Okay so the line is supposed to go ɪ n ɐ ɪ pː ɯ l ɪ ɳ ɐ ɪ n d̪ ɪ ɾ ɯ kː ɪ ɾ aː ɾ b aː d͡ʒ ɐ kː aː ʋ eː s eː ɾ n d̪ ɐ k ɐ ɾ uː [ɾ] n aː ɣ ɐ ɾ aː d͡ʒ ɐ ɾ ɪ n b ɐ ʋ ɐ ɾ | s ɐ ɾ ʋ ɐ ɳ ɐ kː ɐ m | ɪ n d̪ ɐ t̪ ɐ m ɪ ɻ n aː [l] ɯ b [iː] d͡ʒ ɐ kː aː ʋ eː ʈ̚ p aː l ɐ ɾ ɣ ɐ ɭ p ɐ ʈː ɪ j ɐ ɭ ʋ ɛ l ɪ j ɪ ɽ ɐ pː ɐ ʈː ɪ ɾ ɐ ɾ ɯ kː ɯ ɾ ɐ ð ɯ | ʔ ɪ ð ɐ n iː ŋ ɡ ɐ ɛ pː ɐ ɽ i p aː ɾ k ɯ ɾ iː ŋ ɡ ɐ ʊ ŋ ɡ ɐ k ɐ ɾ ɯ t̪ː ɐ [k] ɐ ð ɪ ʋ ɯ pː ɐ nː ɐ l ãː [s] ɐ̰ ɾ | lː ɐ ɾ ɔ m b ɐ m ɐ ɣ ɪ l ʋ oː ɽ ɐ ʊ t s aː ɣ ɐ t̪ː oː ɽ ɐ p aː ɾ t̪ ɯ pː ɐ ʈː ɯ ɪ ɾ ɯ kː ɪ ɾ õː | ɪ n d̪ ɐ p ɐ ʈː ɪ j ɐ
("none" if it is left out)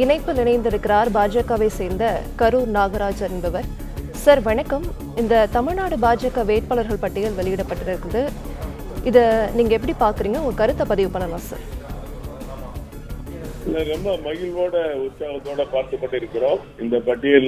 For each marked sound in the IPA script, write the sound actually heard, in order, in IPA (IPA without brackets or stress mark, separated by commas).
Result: ɾ, ɽ, aː, p, s